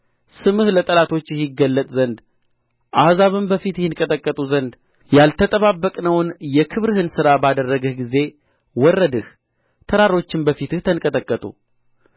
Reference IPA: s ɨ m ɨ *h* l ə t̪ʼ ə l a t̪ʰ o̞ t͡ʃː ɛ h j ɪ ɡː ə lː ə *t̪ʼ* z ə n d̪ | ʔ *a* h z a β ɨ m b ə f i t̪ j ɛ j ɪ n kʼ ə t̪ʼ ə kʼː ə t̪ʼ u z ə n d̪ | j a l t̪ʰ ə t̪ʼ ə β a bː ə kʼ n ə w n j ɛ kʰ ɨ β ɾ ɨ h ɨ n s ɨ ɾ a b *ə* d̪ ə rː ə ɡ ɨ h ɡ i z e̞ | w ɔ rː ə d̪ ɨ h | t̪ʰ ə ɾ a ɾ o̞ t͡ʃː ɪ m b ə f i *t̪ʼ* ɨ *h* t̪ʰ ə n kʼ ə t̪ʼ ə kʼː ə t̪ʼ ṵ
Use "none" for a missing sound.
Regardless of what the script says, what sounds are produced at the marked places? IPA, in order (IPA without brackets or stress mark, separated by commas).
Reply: h, t̪ʼ, a, a, t̪, h